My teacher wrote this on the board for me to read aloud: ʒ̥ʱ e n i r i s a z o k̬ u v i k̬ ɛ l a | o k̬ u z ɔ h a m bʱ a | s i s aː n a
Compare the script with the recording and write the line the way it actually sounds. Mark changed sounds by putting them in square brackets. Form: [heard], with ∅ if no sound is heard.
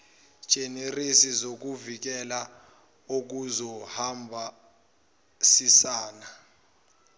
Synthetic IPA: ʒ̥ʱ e n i r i s [i] z o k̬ u v i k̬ ɛ l a | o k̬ u z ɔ h a m bʱ a | s i s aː n a